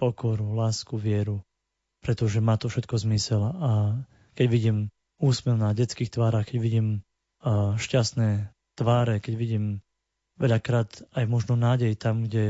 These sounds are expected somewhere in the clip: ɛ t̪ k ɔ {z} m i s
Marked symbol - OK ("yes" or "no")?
yes